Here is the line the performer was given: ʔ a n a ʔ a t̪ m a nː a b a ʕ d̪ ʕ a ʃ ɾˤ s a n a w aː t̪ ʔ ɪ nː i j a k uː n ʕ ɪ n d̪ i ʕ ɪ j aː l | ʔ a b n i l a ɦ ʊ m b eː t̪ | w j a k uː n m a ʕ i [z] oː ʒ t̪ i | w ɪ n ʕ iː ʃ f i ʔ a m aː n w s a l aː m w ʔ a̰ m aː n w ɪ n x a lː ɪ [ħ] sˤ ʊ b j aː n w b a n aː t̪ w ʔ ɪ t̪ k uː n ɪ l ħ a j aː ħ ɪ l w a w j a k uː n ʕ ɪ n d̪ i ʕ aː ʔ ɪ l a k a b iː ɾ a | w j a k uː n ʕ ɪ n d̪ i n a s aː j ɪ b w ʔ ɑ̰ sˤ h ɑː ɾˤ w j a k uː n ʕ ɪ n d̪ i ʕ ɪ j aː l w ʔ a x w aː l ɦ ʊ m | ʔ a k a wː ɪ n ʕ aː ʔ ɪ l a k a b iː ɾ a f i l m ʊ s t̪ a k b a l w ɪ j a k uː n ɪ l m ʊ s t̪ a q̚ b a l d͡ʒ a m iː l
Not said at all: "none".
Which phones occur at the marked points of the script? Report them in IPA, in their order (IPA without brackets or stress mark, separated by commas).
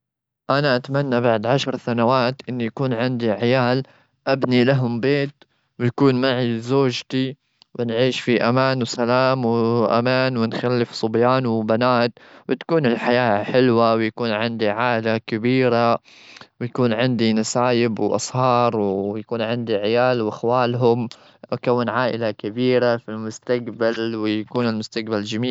z, f